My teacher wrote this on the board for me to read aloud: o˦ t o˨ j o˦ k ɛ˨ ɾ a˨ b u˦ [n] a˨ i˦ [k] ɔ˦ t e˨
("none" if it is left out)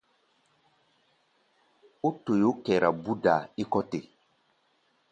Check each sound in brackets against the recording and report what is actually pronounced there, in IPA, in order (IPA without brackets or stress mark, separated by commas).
d, k